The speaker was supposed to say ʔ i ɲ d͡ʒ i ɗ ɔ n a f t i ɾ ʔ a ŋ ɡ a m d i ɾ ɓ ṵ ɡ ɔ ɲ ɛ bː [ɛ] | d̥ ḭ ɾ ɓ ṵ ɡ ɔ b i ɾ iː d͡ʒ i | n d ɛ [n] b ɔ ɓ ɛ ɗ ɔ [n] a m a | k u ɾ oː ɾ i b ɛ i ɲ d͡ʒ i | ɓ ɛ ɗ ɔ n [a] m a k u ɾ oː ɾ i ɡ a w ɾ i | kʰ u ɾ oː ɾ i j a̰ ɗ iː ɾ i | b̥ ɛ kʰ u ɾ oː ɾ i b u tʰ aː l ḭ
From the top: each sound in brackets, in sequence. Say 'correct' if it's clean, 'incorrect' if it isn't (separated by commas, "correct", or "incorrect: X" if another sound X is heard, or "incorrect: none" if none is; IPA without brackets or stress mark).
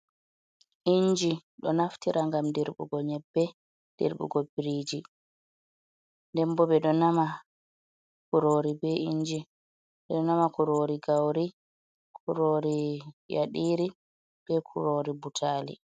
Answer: correct, incorrect: m, correct, correct